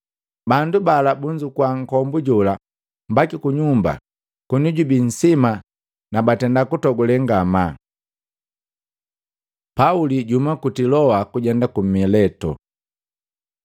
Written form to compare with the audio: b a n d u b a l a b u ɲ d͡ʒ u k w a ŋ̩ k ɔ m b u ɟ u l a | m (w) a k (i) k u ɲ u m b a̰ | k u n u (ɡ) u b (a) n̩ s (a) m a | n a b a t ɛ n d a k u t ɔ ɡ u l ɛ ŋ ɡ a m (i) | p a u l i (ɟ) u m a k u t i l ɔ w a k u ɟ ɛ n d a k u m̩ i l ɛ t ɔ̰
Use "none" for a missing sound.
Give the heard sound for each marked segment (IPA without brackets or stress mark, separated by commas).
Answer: b, i, ɟ, i, i, a, ɟ